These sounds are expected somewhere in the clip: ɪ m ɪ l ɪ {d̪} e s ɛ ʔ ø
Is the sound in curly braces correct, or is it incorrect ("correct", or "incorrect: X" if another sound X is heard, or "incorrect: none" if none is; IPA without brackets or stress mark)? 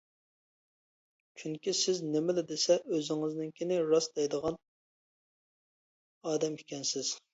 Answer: correct